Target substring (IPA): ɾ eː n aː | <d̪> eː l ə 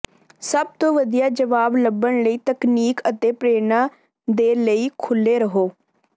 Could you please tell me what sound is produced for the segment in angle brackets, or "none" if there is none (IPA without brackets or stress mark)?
d̪